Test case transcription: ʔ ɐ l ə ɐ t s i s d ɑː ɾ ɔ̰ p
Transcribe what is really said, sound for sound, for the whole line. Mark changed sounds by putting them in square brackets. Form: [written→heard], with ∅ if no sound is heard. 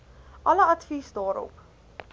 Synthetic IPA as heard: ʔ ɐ l ə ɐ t [s→f] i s d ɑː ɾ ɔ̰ p